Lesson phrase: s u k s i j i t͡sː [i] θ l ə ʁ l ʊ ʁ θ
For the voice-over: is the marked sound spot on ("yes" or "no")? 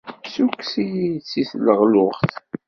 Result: yes